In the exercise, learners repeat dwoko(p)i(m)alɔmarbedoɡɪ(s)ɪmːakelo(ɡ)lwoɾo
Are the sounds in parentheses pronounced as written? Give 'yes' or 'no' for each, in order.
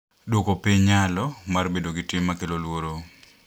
yes, no, no, no

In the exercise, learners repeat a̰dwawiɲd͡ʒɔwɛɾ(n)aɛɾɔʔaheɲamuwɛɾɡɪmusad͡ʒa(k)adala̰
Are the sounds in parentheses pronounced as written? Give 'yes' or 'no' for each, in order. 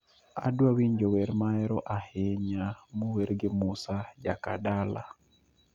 no, yes

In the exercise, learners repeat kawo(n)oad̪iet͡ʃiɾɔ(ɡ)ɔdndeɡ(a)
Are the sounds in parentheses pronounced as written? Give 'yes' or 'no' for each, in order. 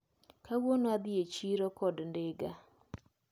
yes, no, yes

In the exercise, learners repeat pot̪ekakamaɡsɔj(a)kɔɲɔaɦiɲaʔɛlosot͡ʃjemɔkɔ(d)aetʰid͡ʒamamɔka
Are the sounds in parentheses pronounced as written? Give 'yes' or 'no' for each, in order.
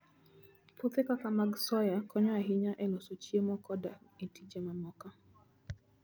yes, yes

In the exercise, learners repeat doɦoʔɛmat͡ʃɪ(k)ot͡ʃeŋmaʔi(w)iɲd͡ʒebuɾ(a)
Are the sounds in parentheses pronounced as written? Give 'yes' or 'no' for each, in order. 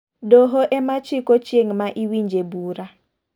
yes, yes, yes

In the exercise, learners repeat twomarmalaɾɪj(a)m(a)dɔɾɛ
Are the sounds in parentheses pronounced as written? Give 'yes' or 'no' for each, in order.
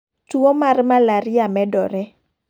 yes, no

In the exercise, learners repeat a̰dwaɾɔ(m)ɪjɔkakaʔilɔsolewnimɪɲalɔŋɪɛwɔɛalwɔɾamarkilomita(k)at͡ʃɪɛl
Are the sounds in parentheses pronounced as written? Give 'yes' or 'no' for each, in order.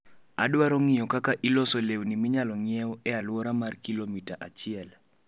no, no

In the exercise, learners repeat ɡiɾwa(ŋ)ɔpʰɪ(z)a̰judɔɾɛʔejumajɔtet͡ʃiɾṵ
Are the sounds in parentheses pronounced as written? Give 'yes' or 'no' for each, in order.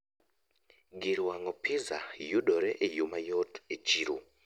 yes, yes

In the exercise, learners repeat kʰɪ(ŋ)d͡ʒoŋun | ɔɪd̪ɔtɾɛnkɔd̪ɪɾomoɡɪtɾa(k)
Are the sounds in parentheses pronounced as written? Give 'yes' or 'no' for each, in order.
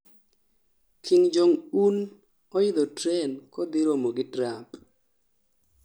yes, no

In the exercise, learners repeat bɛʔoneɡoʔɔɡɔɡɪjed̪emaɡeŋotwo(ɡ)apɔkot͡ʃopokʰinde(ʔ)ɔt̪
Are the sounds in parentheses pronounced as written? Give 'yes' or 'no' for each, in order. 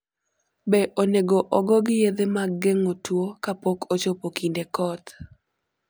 no, no

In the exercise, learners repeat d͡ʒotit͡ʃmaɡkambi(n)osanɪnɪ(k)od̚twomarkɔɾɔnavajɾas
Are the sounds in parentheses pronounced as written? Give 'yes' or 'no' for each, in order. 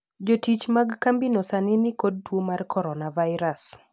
yes, yes

